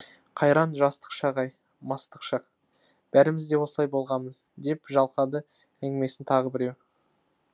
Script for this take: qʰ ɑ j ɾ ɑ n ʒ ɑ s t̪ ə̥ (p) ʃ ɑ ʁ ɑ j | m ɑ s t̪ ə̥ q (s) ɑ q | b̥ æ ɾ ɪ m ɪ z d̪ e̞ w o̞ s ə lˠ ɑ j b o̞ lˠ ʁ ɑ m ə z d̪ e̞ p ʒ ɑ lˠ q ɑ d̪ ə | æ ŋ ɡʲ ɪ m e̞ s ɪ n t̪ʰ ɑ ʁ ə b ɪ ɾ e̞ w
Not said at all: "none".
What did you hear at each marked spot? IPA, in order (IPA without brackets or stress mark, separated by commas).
q, ʃ